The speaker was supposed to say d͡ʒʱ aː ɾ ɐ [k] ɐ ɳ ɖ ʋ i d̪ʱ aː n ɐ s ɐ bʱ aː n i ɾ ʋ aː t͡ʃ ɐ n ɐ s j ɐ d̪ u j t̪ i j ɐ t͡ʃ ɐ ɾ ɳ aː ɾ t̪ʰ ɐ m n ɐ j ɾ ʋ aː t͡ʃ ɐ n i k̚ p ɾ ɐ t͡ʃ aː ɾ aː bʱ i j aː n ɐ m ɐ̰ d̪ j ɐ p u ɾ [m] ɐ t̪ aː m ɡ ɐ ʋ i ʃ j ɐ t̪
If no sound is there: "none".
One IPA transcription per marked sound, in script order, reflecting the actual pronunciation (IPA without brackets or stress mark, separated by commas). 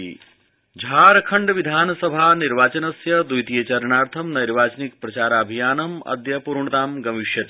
kʰ, ɳ